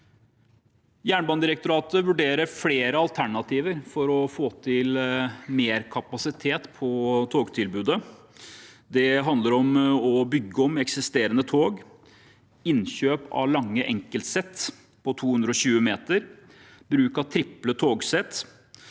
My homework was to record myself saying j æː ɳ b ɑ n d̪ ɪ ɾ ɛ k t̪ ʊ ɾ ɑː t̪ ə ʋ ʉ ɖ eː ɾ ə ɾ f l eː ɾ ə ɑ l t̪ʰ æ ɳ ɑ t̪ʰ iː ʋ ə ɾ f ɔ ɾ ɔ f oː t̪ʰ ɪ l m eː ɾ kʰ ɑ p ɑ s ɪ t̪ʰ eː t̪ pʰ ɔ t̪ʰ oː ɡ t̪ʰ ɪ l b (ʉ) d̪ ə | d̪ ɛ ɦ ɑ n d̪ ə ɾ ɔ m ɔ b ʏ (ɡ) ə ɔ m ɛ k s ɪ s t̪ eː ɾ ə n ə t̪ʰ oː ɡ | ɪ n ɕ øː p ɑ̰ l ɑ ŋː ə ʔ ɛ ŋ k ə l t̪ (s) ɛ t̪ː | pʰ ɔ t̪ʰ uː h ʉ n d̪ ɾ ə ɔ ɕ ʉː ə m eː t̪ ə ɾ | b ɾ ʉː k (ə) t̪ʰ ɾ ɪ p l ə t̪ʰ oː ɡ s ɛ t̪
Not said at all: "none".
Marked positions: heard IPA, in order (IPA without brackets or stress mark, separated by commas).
ʉː, ɡː, s, ɑ